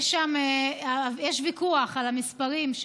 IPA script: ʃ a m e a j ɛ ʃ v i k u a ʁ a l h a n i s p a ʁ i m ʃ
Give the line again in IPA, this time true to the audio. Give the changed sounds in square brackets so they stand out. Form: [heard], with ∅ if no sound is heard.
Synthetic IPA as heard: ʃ a m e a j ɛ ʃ v i k u a [χ] a l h a [m] i s p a ʁ i m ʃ